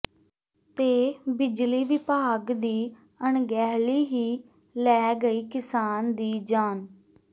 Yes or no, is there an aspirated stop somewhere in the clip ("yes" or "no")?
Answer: no